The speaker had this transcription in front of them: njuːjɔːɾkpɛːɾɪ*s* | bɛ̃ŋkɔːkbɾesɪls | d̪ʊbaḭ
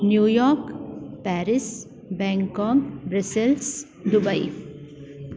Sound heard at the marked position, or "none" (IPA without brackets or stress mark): s